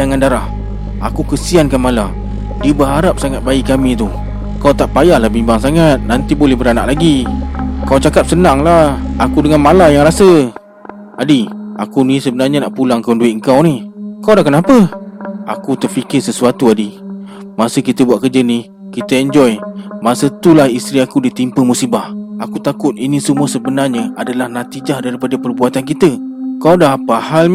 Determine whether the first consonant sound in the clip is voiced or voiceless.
voiced